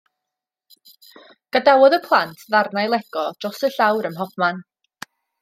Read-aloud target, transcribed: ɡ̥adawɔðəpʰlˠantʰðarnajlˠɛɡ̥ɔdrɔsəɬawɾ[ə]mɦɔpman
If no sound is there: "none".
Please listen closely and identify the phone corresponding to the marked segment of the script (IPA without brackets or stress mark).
ə